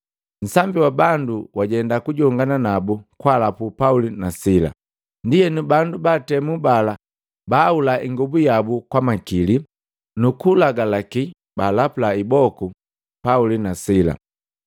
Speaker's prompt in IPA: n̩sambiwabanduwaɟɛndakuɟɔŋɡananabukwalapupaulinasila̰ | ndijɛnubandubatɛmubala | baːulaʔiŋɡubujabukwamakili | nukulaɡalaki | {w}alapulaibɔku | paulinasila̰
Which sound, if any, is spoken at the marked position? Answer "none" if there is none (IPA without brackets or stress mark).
b